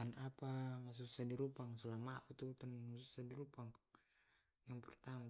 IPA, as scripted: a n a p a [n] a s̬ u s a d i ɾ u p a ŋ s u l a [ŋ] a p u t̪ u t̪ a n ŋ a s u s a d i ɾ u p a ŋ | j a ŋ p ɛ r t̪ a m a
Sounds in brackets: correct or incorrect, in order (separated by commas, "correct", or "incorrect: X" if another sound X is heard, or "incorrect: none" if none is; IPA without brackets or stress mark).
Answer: incorrect: ŋ, incorrect: m